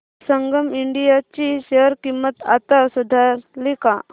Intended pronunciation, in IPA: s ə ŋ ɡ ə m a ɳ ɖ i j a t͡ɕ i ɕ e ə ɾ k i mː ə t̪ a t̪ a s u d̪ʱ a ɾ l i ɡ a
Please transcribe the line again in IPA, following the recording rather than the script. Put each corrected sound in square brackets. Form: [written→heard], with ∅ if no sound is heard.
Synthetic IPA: s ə ŋ ɡ ə m [a→i] ɳ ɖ i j a t͡ɕ i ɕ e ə ɾ k i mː ə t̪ a t̪ a s u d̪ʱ a ɾ l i [ɡ→k] a